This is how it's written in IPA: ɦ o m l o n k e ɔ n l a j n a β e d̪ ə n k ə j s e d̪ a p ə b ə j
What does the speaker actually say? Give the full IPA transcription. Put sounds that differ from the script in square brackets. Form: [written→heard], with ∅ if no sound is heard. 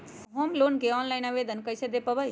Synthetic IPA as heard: ɦ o m l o n k e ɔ n l a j n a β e d̪ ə n k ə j s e d̪ [a→e] p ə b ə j